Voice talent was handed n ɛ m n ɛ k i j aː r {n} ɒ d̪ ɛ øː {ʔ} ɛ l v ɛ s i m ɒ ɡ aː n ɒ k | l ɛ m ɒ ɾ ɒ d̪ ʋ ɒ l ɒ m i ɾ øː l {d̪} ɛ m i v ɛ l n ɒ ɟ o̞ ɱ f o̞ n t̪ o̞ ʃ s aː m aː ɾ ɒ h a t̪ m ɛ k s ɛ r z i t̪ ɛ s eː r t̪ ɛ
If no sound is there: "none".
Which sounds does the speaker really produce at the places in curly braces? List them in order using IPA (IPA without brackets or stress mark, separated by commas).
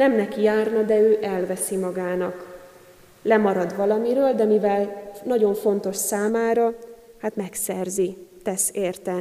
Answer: n, ʔ, d̪